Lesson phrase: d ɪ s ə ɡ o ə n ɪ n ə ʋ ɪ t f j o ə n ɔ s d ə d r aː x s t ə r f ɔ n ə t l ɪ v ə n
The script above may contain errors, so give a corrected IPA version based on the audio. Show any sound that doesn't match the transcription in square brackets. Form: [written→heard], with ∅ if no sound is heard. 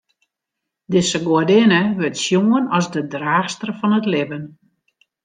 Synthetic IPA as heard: d ɪ s ə ɡ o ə [n→d] ɪ n ə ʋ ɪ t [f→s] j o ə n ɔ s d ə d r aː x s t ə r f ɔ n ə t l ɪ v ə n